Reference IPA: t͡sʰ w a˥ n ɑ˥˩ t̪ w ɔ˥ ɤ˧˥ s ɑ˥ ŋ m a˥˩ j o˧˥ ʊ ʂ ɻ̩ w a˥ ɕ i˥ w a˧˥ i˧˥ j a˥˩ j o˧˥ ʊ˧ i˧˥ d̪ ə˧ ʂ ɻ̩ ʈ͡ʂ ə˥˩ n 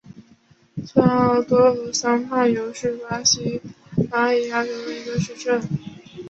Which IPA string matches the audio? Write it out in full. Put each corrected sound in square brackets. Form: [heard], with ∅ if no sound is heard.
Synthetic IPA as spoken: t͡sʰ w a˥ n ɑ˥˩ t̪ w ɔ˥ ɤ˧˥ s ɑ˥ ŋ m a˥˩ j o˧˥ ʊ ʂ ɻ̩ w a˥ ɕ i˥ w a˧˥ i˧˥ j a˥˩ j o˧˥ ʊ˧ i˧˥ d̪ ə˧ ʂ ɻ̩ ʈ͡ʂ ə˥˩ n